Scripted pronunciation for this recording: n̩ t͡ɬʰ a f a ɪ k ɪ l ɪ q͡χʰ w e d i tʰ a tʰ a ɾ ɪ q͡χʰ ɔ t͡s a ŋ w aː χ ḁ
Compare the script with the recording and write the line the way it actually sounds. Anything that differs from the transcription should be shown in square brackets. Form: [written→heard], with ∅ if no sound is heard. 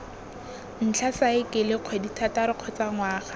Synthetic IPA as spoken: n̩ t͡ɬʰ a [f→s] a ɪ k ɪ l ɪ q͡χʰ w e d i tʰ a [tʰ→t] a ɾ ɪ q͡χʰ ɔ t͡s a ŋ w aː χ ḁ